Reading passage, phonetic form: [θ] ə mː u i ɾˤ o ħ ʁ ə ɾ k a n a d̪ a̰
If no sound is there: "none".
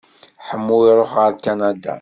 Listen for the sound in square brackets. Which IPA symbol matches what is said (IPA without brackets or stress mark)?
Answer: ħ